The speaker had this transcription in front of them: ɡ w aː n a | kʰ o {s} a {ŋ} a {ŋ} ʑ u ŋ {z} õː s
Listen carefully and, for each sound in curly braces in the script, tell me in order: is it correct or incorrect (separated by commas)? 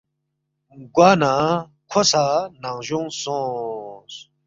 correct, incorrect, correct, incorrect